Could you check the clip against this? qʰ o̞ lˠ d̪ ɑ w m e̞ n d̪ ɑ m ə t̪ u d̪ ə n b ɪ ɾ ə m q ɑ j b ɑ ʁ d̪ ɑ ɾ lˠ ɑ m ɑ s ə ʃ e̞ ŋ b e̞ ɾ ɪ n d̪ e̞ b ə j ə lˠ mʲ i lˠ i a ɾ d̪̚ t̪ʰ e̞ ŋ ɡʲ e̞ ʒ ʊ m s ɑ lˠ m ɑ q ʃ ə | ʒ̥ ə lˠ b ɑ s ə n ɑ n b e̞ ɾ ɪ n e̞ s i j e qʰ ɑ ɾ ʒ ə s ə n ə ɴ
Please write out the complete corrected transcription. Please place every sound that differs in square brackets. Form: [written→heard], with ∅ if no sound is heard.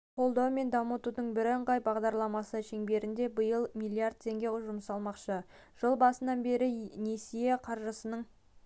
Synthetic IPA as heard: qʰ o̞ lˠ d̪ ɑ w m e̞ n d̪ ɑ m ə t̪ u d̪ ə [n→ɴ] b ɪ ɾ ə [m→ɴ] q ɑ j b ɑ ʁ d̪ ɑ ɾ lˠ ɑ m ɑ s ə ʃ e̞ ŋ b e̞ ɾ ɪ n d̪ e̞ b ə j ə lˠ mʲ i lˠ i a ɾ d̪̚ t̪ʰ e̞ ŋ ɡʲ e̞ ʒ ʊ m s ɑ lˠ m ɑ q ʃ ə | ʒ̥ ə lˠ b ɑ s ə n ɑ n b e̞ ɾ ɪ n e̞ s i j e qʰ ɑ ɾ ʒ ə s ə n ə ɴ